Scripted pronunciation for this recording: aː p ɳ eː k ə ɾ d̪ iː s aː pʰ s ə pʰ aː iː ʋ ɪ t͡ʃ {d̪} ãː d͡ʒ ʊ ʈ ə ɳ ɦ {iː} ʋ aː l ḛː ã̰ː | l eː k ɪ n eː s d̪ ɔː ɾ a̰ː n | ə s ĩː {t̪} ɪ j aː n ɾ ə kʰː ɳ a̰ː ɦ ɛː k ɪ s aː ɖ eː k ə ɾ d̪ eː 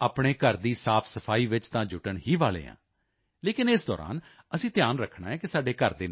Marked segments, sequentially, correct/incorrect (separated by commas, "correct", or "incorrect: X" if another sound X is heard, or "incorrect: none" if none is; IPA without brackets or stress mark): incorrect: t̪, correct, correct